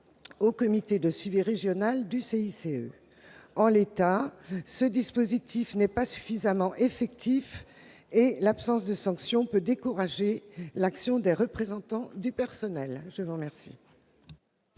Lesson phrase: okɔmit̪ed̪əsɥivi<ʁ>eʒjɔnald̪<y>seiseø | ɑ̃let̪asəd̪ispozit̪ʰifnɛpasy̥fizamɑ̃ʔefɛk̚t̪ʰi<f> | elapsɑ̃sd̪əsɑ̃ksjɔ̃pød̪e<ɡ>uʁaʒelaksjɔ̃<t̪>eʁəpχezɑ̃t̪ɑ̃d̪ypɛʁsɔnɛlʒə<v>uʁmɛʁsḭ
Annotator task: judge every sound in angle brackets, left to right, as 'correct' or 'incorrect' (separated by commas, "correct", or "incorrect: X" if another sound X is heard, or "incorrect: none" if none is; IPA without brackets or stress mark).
correct, correct, correct, incorrect: k, incorrect: d̪, correct